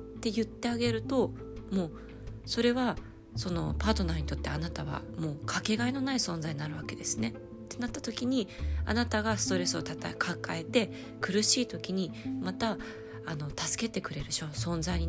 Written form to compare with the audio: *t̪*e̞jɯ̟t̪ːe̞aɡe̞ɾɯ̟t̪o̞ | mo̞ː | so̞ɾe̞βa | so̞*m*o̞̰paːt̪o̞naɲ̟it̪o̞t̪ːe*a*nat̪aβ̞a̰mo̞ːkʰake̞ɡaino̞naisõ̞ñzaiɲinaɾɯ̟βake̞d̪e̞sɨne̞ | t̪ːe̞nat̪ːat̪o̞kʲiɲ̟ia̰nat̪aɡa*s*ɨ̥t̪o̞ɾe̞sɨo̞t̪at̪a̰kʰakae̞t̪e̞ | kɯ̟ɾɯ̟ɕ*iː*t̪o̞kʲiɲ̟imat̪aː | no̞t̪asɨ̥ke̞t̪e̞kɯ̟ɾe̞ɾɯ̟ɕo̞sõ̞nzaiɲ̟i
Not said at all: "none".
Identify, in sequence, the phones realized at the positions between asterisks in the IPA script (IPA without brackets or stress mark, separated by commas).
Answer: t̪, n, a, s, iː